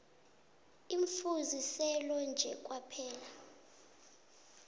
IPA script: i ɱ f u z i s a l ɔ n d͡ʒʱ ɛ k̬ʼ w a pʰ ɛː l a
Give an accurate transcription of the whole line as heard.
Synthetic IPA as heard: i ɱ f u z i s ɛ l ɔ n d͡ʒʱ ɛ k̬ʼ w a pʰ ɛː l a